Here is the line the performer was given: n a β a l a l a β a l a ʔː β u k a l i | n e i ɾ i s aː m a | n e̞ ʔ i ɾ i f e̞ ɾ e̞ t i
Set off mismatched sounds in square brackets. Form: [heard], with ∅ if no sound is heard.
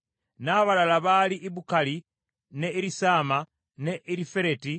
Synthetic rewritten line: n a β a l a l a β a l [i] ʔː β u k a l i | n e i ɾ i s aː m a | n e̞ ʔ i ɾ i f e̞ ɾ e̞ t i